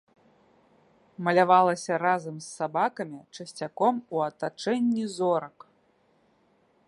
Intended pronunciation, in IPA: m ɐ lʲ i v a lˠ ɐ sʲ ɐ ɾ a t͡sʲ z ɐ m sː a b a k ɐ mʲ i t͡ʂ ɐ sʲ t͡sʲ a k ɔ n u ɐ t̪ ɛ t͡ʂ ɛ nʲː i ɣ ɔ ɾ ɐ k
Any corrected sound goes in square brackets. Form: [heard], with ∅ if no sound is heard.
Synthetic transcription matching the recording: m ɐ lʲ [a] v a lˠ ɐ sʲ ɐ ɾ a [∅] z ɐ m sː a b a k ɐ mʲ i t͡ʂ ɐ sʲ t͡sʲ a k ɔ [m] u ɐ t̪ [a] t͡ʂ ɛ nʲː i [z] ɔ ɾ ɐ k